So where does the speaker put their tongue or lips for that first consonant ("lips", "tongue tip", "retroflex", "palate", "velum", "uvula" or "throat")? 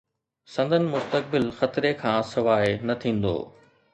tongue tip